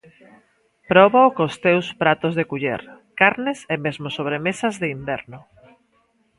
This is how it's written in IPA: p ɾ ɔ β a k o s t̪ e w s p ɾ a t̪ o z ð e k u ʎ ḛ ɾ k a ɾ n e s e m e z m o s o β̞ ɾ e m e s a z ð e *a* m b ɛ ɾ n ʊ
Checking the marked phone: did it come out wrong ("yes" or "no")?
yes